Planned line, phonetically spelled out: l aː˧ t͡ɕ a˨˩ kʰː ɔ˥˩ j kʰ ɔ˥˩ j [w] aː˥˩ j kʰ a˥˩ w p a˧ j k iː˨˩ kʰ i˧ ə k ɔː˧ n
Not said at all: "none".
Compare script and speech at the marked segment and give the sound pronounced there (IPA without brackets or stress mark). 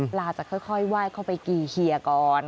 w